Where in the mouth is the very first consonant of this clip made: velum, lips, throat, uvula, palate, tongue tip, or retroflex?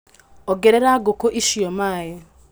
velum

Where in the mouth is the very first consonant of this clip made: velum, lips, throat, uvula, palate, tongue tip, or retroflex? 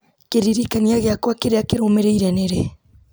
velum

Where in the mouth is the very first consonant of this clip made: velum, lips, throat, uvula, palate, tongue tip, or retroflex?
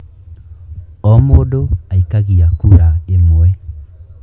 lips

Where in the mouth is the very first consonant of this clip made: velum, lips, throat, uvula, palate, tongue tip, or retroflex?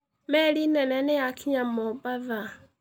lips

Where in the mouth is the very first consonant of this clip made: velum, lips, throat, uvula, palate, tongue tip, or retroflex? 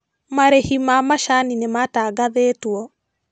lips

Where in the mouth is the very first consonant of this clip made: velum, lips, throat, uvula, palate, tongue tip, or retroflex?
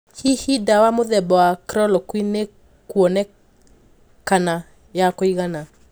throat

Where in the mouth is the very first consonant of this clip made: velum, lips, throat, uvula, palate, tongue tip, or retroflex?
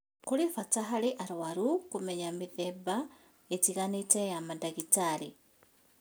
velum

